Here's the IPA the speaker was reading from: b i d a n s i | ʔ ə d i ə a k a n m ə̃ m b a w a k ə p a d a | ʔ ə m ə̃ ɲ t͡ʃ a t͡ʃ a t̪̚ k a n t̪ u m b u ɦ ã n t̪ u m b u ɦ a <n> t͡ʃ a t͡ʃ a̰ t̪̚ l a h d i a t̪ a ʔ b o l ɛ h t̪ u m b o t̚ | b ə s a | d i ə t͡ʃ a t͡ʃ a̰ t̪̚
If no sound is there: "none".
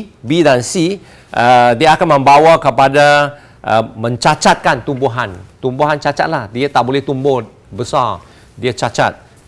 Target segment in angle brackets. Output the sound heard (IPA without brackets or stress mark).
n